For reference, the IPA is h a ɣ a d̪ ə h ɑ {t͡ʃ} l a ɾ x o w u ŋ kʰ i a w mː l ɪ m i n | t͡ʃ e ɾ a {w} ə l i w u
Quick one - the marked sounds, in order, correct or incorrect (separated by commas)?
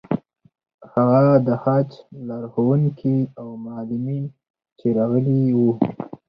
correct, incorrect